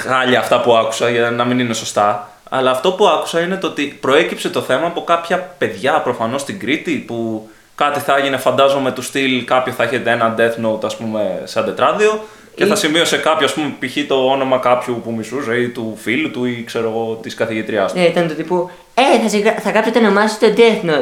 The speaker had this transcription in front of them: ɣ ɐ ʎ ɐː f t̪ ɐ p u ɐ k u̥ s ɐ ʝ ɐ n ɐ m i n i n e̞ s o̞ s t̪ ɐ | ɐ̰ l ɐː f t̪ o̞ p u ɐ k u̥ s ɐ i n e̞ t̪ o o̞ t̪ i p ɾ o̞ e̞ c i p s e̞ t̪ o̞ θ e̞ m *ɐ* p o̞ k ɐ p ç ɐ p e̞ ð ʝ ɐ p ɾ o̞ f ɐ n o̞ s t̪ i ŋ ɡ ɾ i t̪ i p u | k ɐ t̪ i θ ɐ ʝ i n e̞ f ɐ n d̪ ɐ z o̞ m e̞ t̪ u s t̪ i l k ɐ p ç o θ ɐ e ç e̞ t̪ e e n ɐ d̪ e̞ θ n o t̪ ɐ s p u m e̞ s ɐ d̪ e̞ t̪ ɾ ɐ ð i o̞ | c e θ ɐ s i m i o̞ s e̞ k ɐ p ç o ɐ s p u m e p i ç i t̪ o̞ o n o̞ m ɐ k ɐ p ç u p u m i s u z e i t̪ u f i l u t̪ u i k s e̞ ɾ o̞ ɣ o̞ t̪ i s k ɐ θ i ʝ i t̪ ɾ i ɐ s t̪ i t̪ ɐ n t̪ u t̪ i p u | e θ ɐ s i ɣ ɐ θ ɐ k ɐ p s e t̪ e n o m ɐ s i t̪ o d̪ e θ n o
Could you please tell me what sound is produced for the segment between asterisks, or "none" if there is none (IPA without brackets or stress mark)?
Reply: ɐː